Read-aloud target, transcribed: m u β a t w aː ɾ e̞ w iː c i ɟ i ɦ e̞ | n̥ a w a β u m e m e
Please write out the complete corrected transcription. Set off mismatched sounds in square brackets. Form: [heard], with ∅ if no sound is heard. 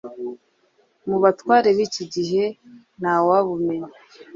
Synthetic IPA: m u β a t w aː ɾ e̞ [β] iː c i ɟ i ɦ e̞ | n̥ a w a β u m e [ɲ] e